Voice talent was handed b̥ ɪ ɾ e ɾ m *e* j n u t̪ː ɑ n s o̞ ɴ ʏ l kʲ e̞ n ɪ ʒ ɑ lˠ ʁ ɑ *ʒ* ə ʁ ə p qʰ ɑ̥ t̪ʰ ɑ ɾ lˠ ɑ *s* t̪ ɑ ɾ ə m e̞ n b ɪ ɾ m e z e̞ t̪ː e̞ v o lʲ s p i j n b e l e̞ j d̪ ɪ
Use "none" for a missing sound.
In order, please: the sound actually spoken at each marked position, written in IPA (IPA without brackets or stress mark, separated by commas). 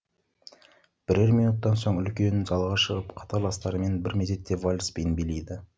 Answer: i, ʃ, s